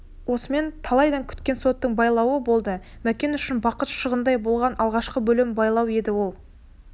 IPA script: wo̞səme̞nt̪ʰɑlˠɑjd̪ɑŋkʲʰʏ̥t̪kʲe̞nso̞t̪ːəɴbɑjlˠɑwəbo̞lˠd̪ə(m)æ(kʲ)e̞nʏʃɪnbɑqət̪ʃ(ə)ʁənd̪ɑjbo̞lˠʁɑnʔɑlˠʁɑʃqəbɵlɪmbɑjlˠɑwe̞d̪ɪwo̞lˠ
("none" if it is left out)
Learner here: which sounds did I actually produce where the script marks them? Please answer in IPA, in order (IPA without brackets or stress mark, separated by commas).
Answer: m, kʲ, ə